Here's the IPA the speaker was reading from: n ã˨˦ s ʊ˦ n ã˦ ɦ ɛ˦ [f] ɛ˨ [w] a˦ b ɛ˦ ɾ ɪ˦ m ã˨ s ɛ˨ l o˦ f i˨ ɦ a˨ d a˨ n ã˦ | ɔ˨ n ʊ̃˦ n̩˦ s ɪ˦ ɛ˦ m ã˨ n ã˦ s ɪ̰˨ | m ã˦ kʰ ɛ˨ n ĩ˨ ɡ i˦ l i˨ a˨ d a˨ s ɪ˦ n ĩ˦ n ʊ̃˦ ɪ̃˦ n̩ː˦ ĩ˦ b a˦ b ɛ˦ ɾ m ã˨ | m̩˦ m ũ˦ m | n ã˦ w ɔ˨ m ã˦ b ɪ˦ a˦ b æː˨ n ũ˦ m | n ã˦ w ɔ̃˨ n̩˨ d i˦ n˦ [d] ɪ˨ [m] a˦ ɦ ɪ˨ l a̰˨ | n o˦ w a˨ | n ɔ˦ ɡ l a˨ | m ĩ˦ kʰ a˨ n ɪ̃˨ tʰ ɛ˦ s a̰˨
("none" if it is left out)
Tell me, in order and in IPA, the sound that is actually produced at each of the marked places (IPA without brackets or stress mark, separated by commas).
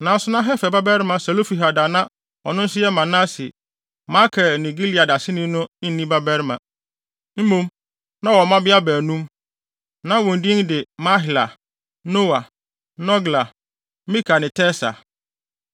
f, b, d, m